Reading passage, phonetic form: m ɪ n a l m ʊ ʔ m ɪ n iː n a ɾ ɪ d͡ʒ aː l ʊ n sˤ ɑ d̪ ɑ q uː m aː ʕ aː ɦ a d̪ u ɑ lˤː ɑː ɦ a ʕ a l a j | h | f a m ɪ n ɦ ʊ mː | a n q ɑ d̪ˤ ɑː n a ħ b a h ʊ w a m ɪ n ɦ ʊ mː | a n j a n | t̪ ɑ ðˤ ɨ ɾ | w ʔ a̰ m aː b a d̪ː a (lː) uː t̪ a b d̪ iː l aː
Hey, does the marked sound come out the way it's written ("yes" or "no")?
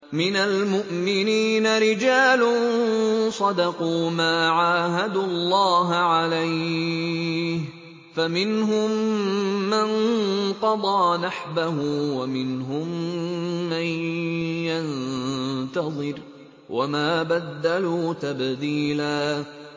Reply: no